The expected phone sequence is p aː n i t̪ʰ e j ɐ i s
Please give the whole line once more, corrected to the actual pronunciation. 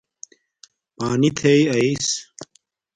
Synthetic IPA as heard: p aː n i t̪ʰ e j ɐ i s